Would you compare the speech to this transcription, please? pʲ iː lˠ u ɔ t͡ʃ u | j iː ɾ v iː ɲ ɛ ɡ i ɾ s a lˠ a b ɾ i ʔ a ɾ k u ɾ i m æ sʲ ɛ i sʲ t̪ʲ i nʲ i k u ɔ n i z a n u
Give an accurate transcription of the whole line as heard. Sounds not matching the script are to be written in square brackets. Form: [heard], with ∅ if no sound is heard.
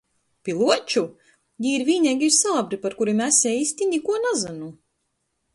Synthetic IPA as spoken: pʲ [i] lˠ u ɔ t͡ʃ u | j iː ɾ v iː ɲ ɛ ɡ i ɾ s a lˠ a b ɾ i [p] a ɾ k u ɾ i m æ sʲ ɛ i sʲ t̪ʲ i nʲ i k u ɔ n [a] z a n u